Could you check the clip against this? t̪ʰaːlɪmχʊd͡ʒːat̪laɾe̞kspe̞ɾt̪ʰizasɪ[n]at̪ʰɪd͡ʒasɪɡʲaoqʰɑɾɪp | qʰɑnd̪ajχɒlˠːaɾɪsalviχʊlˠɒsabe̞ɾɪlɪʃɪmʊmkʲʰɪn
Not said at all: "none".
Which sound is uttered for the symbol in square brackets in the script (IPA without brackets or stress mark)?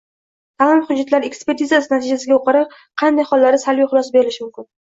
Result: n